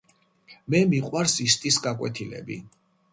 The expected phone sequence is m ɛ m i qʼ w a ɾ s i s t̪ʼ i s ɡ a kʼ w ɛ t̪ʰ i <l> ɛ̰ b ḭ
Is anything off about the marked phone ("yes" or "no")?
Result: no